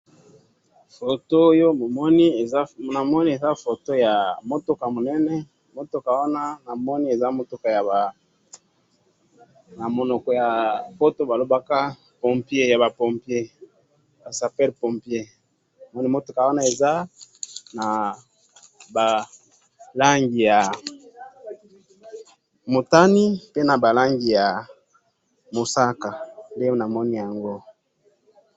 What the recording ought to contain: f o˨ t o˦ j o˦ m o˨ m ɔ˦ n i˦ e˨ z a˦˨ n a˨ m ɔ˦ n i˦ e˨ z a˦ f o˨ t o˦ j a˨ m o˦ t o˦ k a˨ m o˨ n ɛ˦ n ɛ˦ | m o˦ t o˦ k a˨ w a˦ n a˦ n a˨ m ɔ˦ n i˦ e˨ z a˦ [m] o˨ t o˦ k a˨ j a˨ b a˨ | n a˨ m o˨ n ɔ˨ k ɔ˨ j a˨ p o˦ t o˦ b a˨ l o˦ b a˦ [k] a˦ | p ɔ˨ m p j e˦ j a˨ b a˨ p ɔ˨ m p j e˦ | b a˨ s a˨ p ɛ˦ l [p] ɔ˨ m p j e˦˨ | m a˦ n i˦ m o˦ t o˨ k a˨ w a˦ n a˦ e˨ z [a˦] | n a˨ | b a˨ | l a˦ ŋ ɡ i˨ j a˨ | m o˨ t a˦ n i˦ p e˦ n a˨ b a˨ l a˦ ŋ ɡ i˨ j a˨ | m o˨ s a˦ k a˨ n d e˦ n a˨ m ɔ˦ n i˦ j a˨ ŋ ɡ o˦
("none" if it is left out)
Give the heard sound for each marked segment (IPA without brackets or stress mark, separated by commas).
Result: m, k, p, a˦